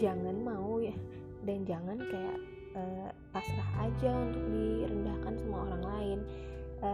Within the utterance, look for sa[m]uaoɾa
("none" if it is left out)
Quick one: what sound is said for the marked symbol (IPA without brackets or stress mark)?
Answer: m